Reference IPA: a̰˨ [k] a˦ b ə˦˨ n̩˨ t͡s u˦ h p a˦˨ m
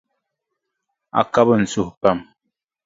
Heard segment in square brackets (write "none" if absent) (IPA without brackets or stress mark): k